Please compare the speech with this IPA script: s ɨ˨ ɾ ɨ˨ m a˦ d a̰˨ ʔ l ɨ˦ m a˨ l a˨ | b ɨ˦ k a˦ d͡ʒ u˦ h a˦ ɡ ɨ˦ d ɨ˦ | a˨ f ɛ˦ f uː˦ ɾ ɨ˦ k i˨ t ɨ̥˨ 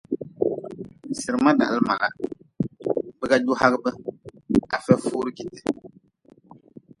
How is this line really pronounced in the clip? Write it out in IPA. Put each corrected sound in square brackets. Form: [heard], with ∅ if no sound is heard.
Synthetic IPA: s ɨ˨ ɾ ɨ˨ m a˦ d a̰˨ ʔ l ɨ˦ m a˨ l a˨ | b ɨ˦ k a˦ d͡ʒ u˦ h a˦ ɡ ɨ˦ [b] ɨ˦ | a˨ f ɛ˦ f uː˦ ɾ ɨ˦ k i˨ t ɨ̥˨

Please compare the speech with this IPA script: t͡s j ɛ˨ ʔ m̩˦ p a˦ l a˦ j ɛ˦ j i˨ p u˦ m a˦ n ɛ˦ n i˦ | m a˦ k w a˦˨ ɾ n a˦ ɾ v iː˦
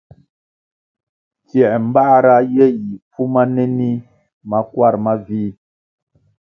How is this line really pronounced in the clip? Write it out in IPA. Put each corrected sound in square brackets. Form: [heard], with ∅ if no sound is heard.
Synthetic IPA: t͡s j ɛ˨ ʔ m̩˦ [b] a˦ [ɾ] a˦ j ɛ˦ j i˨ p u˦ m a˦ n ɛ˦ n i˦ | m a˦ k w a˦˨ ɾ [m] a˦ [∅] v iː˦

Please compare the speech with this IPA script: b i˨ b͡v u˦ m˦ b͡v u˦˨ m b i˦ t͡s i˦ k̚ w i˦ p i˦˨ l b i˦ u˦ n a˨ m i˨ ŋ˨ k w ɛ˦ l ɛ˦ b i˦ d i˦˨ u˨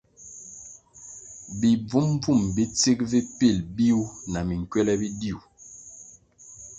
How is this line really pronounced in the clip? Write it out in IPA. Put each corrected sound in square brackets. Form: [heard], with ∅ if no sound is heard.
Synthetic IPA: b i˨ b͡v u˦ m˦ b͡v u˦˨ m b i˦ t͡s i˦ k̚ [v] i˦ p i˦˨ l b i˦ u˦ n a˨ m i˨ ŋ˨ k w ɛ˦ l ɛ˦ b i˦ d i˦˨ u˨

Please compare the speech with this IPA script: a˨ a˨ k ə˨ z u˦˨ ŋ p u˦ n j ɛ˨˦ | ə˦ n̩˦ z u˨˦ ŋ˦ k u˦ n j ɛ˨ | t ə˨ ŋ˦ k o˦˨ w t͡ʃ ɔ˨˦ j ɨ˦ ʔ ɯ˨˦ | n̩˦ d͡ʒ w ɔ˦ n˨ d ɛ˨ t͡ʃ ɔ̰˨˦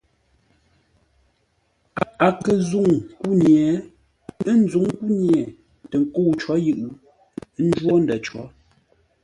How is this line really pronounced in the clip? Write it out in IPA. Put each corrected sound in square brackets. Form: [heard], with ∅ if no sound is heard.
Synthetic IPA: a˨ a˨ k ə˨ z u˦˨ ŋ [k] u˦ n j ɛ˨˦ | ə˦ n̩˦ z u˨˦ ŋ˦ k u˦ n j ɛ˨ | t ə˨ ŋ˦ k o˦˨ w t͡ʃ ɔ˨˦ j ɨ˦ ʔ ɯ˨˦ | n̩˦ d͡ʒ w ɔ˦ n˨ d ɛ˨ t͡ʃ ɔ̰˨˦

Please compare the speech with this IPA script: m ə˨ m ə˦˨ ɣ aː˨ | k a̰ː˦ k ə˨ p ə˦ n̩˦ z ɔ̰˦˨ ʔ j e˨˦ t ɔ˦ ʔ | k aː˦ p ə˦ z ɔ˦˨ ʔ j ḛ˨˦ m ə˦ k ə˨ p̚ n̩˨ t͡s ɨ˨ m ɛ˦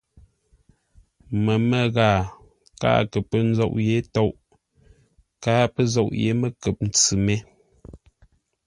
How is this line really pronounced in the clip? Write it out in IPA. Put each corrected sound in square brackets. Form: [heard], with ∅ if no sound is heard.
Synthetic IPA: m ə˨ m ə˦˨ ɣ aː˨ | k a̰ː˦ k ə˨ p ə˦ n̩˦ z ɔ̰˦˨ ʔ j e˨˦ t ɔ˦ ʔ | k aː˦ p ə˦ z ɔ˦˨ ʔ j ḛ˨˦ m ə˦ k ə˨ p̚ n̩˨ t͡s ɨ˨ m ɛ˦

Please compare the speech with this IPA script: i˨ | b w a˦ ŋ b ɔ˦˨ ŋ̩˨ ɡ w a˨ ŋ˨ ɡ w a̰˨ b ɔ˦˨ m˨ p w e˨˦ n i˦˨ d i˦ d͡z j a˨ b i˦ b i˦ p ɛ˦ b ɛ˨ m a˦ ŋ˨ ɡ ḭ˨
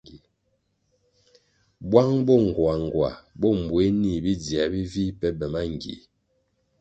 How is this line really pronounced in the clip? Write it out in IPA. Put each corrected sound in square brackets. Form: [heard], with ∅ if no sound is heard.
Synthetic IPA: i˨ | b w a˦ ŋ b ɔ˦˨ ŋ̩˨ ɡ w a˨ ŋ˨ ɡ w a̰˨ b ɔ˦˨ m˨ [b] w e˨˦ n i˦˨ [b] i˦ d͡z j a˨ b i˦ [v] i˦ p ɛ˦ b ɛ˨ m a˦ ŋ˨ ɡ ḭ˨

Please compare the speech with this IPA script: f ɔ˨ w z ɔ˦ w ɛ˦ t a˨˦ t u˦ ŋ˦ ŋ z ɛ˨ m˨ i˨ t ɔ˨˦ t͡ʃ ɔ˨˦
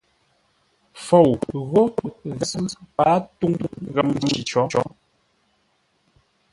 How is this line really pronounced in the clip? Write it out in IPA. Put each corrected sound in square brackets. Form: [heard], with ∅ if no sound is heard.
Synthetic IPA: f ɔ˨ w [ɣ] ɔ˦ [ɣ] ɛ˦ [p] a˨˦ t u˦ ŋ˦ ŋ [ɣ] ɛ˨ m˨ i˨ [t͡ʃ] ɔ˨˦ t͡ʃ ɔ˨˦

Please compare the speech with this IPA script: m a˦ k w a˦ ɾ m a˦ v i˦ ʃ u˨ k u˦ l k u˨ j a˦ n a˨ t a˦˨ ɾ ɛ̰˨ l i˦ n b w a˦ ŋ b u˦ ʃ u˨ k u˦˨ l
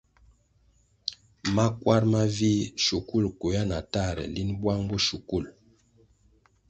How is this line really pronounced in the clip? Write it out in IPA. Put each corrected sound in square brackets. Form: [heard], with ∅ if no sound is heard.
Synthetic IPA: m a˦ k w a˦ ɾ m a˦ v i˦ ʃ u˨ k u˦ l k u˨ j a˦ n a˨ t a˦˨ ɾ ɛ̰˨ l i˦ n b w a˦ ŋ b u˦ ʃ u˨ k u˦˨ l

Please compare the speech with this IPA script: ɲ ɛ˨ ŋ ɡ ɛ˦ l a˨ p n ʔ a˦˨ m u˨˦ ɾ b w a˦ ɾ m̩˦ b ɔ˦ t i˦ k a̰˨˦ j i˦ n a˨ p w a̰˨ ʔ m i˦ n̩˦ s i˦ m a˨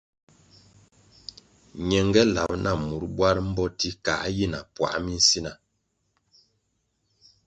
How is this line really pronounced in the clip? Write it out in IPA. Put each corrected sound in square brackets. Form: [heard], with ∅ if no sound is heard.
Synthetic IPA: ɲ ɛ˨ ŋ ɡ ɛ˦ l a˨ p n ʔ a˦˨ m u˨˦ ɾ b w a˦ ɾ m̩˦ b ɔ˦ t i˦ k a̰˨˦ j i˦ n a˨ p w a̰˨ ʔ m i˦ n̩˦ s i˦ [n] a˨

